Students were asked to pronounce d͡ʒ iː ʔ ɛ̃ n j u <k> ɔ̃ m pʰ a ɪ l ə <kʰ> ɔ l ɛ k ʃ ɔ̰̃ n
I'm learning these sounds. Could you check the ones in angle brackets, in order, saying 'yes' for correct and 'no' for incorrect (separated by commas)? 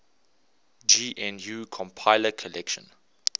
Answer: no, yes